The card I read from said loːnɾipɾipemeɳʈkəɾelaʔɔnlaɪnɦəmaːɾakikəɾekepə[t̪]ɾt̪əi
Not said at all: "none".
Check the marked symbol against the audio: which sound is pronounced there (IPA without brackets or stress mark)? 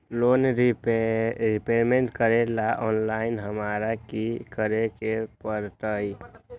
none